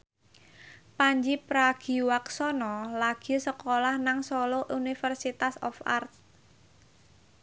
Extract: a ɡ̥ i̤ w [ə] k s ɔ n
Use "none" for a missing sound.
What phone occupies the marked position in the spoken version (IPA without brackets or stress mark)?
a